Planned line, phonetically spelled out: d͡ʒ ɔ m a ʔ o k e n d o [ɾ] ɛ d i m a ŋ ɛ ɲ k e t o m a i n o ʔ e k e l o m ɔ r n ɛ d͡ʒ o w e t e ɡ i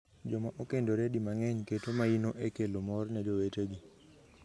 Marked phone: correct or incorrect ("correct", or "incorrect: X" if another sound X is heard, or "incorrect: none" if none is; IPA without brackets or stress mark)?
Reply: correct